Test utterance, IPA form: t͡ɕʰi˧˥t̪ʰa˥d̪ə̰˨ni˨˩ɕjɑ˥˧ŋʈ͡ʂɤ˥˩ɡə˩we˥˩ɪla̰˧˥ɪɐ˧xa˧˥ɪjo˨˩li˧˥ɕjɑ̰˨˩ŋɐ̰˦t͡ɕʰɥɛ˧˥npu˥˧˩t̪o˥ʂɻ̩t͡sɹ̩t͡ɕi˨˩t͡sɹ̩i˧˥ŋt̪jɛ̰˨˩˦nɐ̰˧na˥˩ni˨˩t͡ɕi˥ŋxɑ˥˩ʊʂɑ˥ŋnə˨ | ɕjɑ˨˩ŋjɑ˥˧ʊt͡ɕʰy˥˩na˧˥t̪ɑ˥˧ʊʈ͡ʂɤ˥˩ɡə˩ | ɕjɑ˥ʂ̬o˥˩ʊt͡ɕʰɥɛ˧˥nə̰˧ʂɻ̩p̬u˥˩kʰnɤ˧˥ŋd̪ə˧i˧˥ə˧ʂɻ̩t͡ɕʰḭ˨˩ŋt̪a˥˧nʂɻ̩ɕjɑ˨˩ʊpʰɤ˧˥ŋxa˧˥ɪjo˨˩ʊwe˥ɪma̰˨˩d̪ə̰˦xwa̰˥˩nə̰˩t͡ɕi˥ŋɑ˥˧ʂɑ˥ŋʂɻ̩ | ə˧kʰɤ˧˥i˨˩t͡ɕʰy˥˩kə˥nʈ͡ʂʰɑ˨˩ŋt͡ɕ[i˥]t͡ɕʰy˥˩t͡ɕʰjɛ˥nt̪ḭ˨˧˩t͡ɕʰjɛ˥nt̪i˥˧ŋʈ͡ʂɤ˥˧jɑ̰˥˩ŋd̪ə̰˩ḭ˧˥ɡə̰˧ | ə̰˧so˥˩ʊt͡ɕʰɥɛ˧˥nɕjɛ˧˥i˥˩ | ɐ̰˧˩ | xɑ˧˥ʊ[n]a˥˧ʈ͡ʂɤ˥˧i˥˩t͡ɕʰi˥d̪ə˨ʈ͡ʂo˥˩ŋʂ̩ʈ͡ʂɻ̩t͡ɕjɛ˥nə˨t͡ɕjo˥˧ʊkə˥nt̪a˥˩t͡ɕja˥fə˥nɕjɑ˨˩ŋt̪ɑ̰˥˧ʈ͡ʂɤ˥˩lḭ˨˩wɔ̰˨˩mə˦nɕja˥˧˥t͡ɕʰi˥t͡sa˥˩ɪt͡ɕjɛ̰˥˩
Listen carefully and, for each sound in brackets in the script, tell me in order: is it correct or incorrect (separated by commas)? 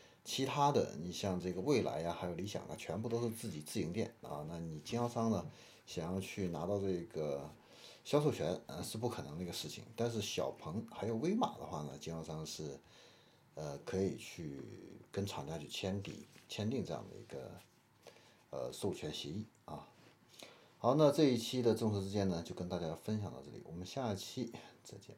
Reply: incorrect, correct